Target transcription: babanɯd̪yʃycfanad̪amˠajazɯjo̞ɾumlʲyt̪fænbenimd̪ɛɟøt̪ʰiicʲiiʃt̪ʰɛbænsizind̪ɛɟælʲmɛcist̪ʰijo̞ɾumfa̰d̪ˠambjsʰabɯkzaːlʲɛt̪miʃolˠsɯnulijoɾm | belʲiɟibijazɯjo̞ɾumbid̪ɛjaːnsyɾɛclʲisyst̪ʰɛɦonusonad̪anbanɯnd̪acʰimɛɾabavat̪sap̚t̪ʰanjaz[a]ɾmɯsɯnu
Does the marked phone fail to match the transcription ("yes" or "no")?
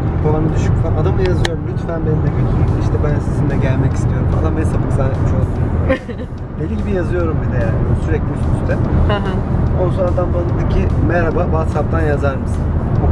no